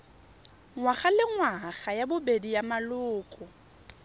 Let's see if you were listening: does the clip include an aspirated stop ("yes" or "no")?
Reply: no